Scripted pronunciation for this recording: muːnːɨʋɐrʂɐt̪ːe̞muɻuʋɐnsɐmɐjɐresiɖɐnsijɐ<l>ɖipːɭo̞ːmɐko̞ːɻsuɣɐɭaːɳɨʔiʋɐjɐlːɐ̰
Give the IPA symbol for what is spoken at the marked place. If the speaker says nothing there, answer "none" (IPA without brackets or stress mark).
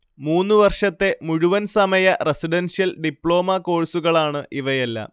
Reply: l